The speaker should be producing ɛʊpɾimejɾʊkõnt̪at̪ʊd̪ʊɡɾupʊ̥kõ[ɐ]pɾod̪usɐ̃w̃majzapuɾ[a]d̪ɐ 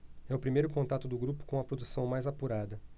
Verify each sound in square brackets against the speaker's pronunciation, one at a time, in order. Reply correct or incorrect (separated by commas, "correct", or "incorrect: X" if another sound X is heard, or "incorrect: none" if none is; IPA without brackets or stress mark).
correct, correct